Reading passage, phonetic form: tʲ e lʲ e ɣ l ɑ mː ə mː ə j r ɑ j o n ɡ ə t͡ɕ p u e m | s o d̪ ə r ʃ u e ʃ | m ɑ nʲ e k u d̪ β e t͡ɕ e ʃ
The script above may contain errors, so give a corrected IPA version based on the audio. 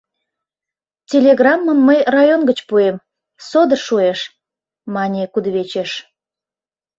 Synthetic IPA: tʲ e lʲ e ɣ r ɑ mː ə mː ə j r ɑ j o n ɡ ə t͡ɕ p u e m | s o d̪ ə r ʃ u e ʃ | m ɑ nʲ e k u d̪ β e t͡ɕ e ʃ